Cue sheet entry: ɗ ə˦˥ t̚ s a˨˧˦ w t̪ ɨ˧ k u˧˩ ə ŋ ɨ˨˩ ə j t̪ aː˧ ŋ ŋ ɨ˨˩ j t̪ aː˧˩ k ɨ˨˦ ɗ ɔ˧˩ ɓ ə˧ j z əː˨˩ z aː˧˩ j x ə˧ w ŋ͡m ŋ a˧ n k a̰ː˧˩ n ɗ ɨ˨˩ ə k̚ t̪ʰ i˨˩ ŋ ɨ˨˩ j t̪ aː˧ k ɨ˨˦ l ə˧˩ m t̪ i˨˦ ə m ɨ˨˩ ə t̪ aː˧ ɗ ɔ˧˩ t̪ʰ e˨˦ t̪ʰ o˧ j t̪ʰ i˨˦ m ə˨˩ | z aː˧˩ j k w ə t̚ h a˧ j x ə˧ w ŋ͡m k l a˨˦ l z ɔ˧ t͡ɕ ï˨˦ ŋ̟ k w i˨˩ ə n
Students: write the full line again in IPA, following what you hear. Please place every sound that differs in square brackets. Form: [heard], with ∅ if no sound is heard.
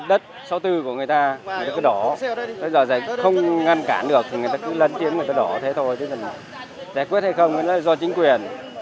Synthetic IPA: ɗ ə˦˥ t̚ s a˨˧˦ w t̪ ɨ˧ k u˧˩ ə ŋ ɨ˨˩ ə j t̪ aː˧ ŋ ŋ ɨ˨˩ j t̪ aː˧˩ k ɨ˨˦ ɗ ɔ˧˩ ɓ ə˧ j z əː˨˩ z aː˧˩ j x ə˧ w ŋ͡m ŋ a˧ n k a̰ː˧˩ n ɗ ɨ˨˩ ə k̚ t̪ʰ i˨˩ ŋ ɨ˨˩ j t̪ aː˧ k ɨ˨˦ l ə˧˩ [n] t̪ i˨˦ ə m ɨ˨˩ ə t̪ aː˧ ɗ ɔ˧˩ t̪ʰ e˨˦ t̪ʰ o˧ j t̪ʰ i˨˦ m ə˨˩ | z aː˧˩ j k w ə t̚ h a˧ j x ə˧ w ŋ͡m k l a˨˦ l z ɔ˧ t͡ɕ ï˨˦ ŋ̟ k w i˨˩ ə n

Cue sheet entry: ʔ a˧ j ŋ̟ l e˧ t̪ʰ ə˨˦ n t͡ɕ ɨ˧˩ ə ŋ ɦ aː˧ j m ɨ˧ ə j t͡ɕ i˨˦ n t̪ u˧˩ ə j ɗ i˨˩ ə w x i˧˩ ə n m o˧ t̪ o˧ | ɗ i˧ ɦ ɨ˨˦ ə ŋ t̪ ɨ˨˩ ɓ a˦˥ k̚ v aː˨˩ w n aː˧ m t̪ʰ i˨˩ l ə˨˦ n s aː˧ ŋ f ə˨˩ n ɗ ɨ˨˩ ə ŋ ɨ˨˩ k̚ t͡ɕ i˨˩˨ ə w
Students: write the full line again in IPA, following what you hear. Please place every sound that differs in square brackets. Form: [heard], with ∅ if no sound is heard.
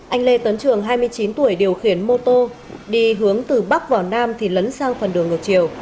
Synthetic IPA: ʔ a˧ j ŋ̟ l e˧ [t̪] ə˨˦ n t͡ɕ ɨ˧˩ ə ŋ ɦ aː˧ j m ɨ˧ ə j t͡ɕ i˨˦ n t̪ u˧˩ ə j ɗ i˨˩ ə w x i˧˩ ə n m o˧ t̪ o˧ | ɗ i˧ ɦ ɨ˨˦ ə ŋ t̪ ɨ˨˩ ɓ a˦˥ k̚ v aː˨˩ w n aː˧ m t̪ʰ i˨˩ l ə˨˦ n s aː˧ ŋ f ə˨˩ n ɗ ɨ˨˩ ə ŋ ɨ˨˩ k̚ t͡ɕ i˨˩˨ ə w

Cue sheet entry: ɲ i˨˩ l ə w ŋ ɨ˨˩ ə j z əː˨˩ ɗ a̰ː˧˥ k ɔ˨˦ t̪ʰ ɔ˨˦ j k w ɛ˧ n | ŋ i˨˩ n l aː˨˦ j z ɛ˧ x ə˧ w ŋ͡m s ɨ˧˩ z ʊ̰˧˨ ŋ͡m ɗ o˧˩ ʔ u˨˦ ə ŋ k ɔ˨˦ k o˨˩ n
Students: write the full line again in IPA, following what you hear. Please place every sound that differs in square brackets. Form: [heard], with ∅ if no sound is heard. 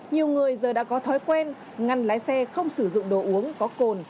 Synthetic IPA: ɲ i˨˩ [∅] ə w ŋ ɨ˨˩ ə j z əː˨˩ ɗ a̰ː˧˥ k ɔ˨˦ t̪ʰ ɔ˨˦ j k w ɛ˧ n | ŋ [a˨˩] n l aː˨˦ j [s] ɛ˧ x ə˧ w ŋ͡m s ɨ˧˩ z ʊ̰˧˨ ŋ͡m ɗ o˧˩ ʔ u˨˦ ə ŋ k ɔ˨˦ k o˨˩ n

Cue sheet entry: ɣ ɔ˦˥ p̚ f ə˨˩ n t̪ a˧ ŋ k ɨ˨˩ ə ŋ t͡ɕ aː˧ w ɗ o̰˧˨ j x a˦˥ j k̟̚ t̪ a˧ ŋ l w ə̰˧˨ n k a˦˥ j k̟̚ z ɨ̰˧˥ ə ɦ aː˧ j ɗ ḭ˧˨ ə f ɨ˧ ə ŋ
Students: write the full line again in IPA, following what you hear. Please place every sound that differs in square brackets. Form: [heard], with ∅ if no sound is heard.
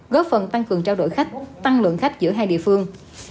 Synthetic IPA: ɣ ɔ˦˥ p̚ f ə˨˩ n t̪ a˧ ŋ k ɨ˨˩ ə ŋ t͡ɕ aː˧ w ɗ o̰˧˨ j x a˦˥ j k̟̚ t̪ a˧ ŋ l w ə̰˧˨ n [x] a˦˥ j k̟̚ z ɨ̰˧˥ ə ɦ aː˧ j ɗ ḭ˧˨ ə f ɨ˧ ə ŋ

